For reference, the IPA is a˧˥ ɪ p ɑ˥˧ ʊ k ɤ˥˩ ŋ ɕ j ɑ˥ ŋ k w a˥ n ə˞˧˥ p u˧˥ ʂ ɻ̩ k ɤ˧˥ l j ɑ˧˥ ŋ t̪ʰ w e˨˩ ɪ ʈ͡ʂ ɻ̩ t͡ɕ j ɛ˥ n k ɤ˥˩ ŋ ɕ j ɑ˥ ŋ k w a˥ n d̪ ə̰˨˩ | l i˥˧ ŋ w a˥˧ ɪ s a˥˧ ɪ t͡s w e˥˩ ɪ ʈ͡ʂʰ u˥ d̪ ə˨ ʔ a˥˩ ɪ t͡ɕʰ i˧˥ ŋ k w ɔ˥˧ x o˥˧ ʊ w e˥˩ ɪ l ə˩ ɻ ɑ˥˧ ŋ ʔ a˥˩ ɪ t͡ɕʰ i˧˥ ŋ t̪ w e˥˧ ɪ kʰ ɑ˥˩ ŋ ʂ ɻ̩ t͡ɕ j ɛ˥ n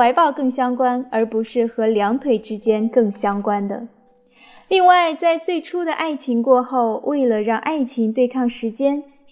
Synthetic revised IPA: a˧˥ ɪ p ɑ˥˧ ʊ k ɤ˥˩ ŋ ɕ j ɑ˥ ŋ k w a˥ n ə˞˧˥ p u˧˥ ʂ ɻ̩ x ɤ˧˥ l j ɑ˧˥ ŋ t̪ʰ w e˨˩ ɪ ʈ͡ʂ ɻ̩ t͡ɕ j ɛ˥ n k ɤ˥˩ ŋ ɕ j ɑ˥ ŋ k w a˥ n d̪ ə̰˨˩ | l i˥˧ ŋ w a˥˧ ɪ t͡s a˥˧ ɪ t͡s w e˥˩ ɪ ʈ͡ʂʰ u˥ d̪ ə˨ ʔ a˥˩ ɪ t͡ɕʰ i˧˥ ŋ k w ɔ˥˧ x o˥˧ ʊ w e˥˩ ɪ l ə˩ ɻ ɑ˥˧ ŋ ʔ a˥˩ ɪ t͡ɕʰ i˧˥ ŋ t̪ w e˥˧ ɪ kʰ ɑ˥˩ ŋ ʂ ɻ̩ t͡ɕ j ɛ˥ n